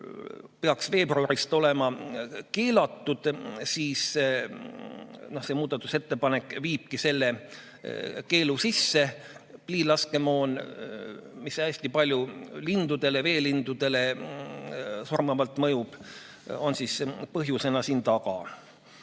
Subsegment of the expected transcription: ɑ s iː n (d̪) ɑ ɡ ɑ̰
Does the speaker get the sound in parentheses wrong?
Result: yes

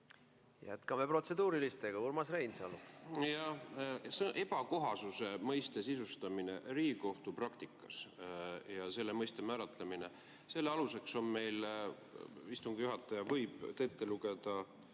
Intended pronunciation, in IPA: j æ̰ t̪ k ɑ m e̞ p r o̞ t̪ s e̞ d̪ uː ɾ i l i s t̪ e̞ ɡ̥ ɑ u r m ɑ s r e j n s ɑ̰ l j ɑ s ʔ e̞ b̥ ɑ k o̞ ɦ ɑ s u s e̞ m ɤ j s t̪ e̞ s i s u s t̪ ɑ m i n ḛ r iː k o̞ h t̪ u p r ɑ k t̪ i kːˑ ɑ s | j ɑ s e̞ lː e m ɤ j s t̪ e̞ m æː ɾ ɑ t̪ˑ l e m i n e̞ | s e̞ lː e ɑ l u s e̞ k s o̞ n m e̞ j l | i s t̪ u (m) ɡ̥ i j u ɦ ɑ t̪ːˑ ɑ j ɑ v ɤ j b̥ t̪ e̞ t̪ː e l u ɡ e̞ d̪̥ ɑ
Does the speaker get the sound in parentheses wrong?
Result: yes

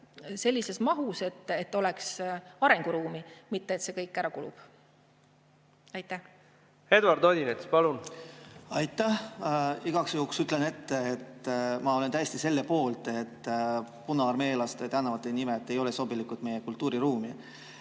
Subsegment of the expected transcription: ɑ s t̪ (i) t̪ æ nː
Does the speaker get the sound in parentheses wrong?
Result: yes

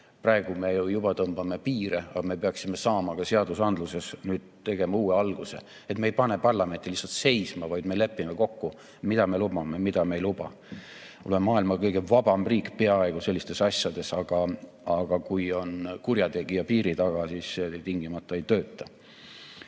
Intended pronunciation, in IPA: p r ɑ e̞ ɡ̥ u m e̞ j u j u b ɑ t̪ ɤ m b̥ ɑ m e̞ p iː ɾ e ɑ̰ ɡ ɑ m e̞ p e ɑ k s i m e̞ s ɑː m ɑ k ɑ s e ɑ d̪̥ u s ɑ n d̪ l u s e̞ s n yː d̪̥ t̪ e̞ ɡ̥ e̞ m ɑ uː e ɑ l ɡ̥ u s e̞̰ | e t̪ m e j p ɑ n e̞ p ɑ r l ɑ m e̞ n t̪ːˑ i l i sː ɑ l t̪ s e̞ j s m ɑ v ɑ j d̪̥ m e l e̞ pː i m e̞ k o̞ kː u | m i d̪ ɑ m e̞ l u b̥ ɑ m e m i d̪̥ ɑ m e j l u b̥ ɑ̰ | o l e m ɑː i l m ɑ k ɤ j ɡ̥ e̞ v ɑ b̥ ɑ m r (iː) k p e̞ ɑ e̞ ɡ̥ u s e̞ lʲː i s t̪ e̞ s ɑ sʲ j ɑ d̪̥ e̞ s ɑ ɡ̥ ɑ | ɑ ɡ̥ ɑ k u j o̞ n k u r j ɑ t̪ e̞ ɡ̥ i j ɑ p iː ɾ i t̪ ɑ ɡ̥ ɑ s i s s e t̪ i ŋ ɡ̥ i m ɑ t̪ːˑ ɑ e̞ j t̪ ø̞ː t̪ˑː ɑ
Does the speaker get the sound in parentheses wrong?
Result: no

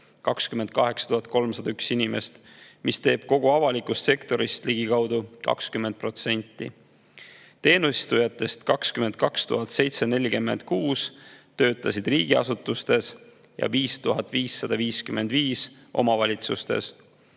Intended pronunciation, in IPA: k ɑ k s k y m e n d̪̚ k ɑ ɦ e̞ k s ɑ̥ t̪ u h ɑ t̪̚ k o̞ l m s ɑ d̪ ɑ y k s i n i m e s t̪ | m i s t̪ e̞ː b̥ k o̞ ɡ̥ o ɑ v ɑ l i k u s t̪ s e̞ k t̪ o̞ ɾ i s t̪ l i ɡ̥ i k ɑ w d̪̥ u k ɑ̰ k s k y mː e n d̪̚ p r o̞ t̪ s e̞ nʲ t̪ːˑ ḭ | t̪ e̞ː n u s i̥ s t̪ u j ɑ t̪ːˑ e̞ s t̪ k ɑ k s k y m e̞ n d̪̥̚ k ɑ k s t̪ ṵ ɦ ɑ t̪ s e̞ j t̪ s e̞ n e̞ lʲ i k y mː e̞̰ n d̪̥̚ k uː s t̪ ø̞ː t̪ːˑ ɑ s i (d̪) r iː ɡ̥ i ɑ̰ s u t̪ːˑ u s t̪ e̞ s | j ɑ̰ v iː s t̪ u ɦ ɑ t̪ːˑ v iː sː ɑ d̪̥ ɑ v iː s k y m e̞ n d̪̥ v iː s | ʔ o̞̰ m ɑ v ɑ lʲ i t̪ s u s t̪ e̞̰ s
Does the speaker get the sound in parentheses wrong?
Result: no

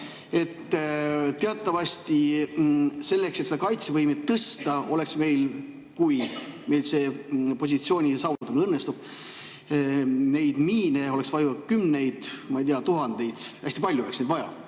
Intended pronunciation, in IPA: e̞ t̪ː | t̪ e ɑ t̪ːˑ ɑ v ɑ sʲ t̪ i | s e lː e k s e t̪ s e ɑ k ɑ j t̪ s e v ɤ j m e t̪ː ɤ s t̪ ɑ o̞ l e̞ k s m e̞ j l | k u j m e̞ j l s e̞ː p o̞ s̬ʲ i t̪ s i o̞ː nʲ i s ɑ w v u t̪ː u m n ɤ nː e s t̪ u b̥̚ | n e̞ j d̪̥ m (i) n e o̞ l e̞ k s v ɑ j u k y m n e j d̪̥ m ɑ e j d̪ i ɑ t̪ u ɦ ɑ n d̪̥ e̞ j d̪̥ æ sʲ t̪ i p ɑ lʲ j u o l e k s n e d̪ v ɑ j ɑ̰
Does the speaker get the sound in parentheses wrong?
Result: yes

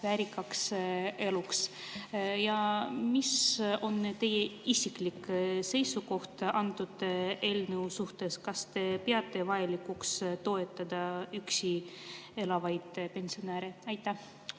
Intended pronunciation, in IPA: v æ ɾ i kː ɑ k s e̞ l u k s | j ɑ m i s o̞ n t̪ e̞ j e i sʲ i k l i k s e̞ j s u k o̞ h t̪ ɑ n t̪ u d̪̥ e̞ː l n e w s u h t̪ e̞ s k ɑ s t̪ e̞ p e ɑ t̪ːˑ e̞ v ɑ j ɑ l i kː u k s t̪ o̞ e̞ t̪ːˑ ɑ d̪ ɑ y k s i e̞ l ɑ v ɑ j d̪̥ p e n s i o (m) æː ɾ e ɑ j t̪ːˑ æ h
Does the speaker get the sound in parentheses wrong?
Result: yes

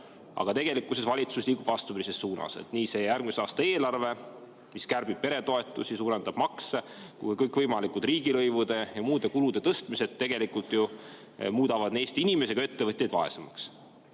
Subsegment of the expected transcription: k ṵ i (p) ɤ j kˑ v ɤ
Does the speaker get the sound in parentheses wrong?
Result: yes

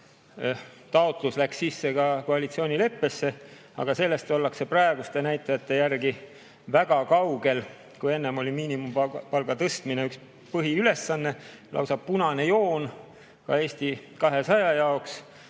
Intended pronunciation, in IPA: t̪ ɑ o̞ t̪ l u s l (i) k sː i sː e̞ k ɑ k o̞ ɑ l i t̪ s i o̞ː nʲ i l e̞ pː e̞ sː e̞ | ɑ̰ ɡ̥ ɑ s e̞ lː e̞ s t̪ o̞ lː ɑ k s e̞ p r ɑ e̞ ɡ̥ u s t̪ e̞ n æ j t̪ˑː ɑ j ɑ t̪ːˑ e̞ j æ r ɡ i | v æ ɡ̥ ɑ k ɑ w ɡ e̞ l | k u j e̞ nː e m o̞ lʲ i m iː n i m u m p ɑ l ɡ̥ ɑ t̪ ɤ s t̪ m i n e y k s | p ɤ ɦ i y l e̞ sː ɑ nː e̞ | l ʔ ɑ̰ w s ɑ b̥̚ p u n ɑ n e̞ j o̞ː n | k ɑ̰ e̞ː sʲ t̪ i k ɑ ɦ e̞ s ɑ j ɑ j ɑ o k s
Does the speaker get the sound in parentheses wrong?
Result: yes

